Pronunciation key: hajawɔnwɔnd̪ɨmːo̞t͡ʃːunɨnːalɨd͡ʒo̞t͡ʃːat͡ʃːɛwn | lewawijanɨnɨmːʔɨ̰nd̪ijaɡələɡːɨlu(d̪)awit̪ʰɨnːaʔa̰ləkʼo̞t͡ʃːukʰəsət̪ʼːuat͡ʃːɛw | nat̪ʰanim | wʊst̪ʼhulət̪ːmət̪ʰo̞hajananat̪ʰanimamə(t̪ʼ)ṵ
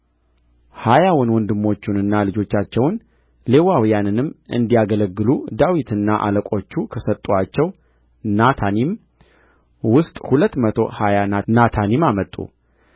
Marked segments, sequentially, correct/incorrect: correct, correct

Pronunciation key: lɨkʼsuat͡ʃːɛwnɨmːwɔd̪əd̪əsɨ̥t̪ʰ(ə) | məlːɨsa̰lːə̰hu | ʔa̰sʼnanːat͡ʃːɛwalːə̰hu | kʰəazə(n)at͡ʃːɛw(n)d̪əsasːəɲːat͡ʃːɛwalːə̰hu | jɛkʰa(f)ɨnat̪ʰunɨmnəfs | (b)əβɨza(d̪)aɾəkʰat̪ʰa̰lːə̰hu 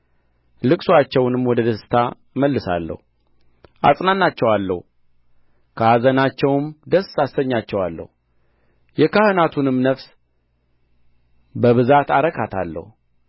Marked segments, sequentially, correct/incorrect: incorrect: a, correct, incorrect: m, incorrect: h, correct, incorrect: t̪

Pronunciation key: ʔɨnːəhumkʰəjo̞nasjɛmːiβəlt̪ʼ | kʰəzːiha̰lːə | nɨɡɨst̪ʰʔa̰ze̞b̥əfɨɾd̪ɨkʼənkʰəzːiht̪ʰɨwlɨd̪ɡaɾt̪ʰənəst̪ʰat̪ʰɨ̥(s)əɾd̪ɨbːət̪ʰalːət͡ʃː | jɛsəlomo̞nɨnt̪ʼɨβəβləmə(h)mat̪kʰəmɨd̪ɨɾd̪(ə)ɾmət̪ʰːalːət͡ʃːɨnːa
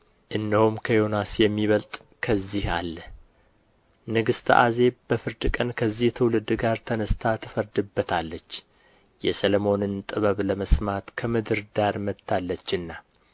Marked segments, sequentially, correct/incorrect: incorrect: f, incorrect: s, incorrect: a

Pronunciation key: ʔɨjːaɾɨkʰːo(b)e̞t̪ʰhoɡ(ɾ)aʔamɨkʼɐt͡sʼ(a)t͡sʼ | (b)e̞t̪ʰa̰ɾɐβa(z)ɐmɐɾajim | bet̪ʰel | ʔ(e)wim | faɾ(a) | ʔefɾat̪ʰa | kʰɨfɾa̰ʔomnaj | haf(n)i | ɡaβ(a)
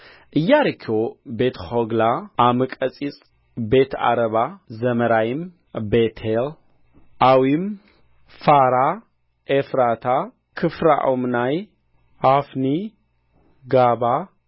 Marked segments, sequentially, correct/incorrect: correct, incorrect: l, incorrect: i, correct, correct, incorrect: a, correct, correct, correct

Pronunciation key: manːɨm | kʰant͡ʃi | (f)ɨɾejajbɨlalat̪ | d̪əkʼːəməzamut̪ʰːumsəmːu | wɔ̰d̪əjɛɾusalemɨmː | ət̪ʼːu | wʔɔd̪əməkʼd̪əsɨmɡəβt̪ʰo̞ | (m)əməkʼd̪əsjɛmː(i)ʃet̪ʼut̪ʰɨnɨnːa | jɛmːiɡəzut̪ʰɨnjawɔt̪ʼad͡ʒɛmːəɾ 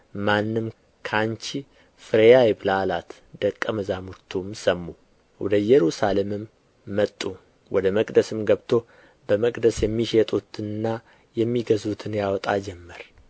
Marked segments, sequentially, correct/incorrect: correct, incorrect: b, correct

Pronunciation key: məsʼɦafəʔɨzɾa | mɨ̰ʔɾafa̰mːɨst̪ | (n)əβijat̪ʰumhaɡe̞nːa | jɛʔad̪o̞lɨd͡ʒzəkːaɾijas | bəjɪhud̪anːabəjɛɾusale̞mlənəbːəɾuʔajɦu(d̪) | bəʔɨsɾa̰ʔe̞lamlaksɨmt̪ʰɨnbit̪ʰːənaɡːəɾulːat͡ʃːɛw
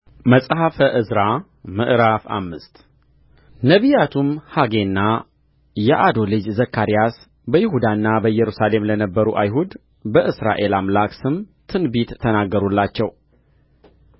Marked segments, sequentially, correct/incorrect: correct, correct

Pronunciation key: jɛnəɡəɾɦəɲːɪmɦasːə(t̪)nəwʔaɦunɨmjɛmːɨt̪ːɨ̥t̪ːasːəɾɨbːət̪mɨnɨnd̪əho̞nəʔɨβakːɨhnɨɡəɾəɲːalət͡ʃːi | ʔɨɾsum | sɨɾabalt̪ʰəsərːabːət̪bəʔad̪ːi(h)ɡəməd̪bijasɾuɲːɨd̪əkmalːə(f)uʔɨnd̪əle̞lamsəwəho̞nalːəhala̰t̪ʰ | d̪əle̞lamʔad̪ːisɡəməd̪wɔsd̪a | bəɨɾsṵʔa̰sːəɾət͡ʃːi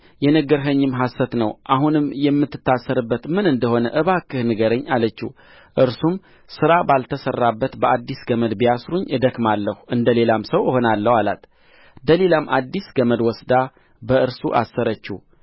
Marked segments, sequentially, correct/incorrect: correct, incorrect: s, incorrect: h

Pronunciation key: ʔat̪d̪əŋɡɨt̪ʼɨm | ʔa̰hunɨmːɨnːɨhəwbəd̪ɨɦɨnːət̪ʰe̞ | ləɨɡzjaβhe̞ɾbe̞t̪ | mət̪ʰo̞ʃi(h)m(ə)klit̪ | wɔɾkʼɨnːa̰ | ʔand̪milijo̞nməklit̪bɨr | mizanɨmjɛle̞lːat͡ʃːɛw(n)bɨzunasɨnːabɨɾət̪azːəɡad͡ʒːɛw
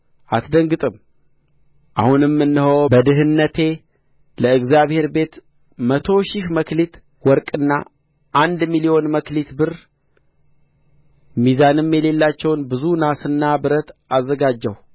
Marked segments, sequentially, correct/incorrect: incorrect: ʃ, correct, correct

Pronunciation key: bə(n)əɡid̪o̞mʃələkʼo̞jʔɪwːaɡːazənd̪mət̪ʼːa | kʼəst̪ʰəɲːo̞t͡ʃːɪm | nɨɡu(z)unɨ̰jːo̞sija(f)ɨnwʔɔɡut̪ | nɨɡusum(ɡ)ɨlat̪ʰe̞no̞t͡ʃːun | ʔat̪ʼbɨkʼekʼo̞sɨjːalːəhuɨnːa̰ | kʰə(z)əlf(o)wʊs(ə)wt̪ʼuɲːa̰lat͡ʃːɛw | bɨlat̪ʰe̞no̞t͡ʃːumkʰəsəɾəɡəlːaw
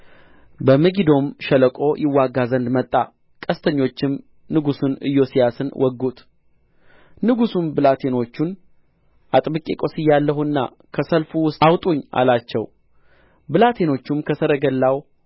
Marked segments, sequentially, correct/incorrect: incorrect: m, incorrect: s, incorrect: s, incorrect: b, incorrect: s, incorrect: u, incorrect: a

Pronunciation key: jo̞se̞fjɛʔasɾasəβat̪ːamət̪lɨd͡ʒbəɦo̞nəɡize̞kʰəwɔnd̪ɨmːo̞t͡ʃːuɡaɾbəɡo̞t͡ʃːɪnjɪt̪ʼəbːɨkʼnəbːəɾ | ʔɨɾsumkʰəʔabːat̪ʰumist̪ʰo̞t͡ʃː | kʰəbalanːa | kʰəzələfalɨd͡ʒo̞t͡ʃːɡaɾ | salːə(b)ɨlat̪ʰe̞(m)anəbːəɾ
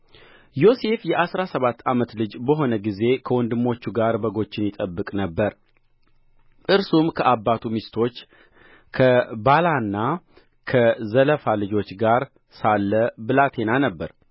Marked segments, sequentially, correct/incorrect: correct, incorrect: n

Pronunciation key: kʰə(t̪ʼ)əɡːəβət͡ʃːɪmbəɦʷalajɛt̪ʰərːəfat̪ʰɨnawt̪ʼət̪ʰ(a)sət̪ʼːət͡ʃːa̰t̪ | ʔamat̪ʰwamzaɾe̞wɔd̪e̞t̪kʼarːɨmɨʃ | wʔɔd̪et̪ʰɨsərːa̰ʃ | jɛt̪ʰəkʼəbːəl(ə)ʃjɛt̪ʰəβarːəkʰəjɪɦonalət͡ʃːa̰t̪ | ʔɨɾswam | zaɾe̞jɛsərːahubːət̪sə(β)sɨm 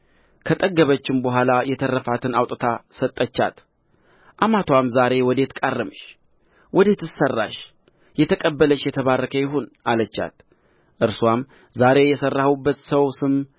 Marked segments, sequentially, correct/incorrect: correct, correct, correct, incorrect: w

